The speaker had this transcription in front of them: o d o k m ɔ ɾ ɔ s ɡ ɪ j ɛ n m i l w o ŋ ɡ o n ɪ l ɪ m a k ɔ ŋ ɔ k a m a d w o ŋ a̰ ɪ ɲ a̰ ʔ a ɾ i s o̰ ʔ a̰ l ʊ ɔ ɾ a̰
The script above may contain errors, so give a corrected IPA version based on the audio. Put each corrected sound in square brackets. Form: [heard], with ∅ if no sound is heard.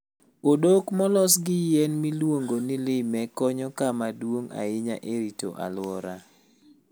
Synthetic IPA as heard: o d o k m ɔ [l] ɔ s ɡ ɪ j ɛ n m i l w o ŋ ɡ o n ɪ l ɪ m [ɛ] k ɔ [ɲ] ɔ k a m a d w o ŋ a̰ ɪ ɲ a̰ ʔ [e] ɾ i [t] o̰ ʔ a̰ l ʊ ɔ ɾ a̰